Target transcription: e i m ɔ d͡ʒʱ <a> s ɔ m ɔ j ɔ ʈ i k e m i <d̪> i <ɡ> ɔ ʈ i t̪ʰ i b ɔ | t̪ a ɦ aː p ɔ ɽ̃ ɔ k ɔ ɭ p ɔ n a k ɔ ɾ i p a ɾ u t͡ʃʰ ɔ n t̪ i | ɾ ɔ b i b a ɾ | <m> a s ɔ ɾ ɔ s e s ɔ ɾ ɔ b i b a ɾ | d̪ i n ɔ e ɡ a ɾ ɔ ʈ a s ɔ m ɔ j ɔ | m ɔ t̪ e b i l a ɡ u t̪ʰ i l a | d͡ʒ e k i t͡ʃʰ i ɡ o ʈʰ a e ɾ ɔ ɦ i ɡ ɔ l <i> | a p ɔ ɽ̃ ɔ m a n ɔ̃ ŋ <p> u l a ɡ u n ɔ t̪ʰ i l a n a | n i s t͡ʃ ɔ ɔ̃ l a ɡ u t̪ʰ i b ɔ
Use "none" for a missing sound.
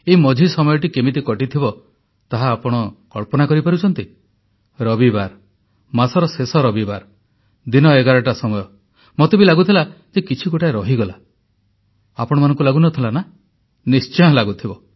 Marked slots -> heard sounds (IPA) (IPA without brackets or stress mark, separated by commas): i, t̪, k, m, a, k